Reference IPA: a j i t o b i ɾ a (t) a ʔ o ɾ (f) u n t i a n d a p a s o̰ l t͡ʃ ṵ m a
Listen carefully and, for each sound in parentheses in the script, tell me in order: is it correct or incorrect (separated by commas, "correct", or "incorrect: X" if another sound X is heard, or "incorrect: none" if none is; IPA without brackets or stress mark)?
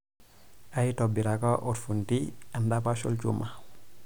incorrect: k, correct